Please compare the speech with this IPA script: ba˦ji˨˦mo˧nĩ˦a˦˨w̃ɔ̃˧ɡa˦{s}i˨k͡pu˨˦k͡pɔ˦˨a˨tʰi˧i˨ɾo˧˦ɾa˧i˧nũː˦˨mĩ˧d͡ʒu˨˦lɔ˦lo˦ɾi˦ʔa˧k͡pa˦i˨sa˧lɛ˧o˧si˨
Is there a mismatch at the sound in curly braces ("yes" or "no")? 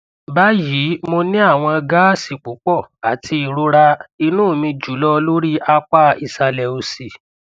no